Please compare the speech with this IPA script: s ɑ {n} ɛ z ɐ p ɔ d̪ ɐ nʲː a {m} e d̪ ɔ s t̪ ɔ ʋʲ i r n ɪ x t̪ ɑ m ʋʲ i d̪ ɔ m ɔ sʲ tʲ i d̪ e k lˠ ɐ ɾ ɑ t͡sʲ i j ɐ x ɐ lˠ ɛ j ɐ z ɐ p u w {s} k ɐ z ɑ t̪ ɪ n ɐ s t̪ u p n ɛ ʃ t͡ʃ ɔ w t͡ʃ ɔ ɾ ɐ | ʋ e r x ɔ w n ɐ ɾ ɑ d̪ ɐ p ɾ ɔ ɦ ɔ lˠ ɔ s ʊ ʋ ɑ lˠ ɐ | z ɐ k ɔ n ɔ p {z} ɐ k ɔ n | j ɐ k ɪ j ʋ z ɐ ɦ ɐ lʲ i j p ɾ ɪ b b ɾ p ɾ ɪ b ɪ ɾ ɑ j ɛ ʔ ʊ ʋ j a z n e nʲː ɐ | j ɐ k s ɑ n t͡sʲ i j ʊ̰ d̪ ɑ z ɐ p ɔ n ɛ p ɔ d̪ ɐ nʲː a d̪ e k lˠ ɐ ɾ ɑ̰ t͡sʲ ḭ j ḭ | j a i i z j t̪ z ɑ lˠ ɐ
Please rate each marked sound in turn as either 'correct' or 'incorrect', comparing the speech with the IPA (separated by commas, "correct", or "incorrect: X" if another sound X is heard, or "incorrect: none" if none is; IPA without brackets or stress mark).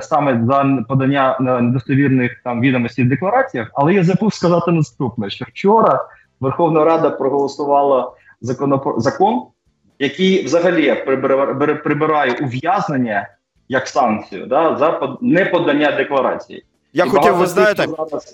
incorrect: m, incorrect: n, correct, correct